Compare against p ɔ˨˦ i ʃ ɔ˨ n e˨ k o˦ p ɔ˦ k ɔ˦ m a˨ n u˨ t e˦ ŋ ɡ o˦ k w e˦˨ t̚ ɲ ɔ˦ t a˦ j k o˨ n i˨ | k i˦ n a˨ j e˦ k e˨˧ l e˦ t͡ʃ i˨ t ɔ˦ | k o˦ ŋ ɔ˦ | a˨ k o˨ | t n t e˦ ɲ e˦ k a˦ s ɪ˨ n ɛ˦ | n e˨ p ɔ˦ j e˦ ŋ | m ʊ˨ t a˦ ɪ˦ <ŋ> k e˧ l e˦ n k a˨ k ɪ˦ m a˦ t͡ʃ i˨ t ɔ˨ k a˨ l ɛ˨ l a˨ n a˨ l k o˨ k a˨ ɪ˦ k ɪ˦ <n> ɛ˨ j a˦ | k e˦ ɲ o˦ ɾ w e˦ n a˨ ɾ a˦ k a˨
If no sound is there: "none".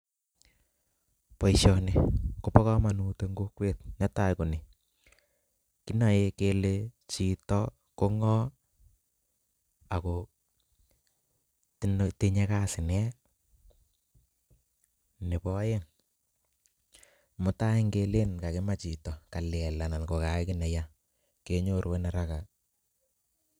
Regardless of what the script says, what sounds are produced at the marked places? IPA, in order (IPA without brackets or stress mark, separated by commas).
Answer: ŋ, n